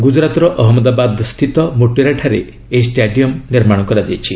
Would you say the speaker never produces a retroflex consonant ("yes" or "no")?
no